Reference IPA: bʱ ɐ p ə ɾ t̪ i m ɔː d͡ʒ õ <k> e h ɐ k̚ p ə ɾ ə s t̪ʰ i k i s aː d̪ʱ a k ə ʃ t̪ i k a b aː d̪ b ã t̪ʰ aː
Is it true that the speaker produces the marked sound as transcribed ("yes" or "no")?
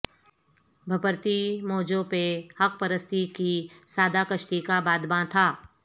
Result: no